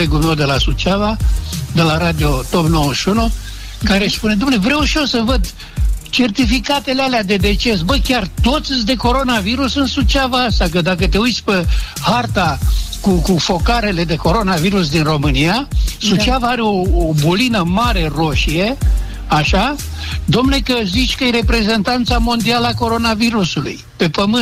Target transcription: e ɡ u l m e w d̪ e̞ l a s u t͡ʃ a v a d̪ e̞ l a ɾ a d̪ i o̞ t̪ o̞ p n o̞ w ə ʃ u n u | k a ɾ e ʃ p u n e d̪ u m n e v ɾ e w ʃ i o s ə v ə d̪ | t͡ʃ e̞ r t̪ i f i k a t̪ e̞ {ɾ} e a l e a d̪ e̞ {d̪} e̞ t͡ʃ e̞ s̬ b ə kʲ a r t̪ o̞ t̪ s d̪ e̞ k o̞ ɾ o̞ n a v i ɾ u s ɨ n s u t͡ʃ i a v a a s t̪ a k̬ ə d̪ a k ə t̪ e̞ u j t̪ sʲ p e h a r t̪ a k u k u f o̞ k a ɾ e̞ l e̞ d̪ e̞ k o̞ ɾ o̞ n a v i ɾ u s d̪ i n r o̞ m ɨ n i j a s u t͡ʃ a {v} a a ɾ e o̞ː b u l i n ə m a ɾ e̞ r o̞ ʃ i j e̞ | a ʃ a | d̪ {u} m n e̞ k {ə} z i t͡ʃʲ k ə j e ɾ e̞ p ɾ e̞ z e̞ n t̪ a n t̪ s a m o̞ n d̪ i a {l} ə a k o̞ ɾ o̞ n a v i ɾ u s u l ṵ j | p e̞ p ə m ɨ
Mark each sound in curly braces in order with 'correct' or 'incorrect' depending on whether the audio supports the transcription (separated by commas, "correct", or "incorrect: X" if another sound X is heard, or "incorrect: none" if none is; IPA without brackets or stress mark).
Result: incorrect: l, correct, correct, incorrect: o, correct, correct